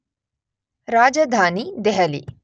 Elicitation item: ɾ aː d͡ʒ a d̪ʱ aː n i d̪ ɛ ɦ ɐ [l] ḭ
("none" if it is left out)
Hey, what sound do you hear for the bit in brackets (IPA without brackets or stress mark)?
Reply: l